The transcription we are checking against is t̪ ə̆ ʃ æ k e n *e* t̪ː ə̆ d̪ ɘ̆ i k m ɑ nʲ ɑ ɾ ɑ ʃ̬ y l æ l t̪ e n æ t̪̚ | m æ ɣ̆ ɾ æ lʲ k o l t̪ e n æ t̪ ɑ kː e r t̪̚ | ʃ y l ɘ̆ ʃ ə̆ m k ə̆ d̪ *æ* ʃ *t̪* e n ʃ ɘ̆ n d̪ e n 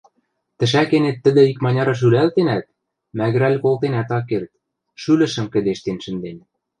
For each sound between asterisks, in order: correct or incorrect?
correct, incorrect: e, correct

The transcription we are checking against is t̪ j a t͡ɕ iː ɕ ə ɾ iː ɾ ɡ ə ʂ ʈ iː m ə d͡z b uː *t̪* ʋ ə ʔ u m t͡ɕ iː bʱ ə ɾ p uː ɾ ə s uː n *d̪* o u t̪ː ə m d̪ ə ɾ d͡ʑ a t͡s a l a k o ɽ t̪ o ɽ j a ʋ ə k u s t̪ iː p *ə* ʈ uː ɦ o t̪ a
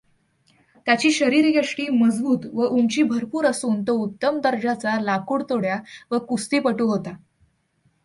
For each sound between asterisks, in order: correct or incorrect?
correct, incorrect: t̪, correct

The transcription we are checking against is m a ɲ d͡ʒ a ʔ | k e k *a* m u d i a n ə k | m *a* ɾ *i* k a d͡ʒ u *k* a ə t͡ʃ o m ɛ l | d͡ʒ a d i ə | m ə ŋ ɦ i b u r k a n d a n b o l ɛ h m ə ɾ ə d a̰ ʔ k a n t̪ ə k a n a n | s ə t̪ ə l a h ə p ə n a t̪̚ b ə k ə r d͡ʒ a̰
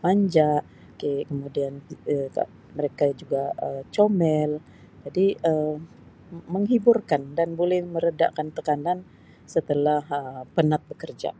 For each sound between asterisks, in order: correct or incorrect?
incorrect: ə, incorrect: ə, incorrect: e, incorrect: ɡ

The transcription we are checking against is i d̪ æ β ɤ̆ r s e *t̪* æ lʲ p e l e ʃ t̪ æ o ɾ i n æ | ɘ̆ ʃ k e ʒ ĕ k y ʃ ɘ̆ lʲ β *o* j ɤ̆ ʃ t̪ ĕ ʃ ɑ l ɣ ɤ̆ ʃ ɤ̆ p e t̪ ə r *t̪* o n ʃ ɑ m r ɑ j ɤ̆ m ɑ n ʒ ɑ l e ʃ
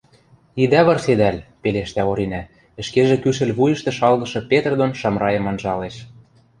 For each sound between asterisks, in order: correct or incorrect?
incorrect: d̪, incorrect: u, incorrect: d̪

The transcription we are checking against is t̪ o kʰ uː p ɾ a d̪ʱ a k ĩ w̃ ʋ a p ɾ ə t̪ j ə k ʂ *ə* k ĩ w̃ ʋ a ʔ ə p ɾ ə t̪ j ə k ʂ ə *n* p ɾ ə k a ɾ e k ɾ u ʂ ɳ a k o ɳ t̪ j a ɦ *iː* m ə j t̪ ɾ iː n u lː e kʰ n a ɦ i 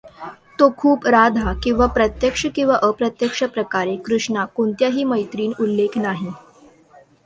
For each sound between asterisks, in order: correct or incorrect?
correct, incorrect: none, correct

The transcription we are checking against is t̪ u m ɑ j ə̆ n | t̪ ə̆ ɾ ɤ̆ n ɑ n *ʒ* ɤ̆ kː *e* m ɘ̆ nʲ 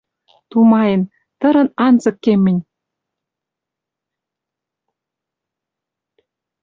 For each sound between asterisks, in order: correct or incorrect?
incorrect: z, correct

